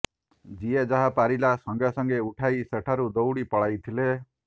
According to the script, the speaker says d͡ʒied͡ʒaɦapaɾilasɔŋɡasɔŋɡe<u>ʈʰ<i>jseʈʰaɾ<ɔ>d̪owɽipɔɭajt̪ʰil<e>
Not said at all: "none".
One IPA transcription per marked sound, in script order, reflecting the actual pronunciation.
u, a, u, e

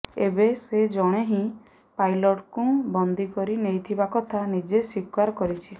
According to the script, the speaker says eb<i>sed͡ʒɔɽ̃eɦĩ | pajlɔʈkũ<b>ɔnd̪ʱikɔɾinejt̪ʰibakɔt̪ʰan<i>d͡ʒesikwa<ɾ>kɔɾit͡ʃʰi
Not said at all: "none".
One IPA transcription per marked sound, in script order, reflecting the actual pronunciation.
e, b, i, ɾ

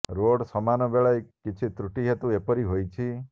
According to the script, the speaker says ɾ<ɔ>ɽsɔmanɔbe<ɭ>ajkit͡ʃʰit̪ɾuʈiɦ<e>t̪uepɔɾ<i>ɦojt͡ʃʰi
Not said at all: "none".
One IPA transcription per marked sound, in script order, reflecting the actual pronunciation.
o, ɭ, e, i

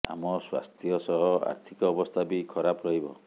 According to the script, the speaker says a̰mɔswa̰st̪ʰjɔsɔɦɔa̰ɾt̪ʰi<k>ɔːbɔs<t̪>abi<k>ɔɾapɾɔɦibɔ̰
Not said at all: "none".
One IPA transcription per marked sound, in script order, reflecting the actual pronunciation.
k, t̪ʰ, kʰ

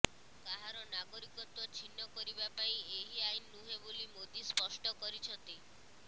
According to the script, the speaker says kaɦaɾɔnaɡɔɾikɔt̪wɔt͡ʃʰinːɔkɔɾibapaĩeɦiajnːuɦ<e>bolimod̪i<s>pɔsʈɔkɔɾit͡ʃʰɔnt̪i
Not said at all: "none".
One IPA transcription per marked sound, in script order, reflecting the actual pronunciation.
e, s

